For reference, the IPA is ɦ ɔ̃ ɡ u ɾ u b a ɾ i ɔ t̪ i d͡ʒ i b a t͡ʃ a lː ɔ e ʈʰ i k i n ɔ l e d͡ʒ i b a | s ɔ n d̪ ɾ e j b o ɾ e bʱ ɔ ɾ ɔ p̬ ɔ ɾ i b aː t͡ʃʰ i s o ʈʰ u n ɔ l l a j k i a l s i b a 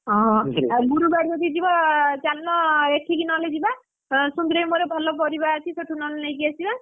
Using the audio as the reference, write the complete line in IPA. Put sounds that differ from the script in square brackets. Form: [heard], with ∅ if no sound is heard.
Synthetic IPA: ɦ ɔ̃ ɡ u ɾ u b a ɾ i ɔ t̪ i d͡ʒ i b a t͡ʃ a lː ɔ e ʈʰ i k i n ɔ l e d͡ʒ i b a | s [u] n d̪ ɾ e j [m] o ɾ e bʱ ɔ [l] ɔ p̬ ɔ ɾ i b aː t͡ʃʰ i s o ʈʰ u n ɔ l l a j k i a [∅] s i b a